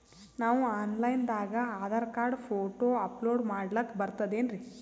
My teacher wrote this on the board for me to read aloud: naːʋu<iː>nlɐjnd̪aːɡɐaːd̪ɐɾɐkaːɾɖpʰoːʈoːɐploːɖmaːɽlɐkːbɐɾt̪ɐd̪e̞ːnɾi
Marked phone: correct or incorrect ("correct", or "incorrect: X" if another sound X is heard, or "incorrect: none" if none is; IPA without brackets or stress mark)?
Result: incorrect: aː